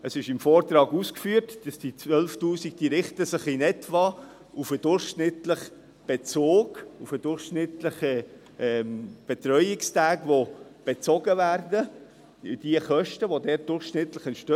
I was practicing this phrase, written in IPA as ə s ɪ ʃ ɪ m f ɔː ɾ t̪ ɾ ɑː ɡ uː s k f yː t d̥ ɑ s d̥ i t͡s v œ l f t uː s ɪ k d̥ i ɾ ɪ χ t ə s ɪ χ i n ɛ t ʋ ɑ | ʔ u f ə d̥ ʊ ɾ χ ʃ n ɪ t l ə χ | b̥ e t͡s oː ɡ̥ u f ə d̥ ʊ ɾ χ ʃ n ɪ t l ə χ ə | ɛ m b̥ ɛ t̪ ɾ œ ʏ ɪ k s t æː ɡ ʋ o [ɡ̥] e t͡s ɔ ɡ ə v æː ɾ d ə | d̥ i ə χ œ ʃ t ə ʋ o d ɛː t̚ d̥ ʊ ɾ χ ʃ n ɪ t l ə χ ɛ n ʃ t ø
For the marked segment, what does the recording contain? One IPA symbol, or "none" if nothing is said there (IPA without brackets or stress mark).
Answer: b̥